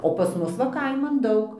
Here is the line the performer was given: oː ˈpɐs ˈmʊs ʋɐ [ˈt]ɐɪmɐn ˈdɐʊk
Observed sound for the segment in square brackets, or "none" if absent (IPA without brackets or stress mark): k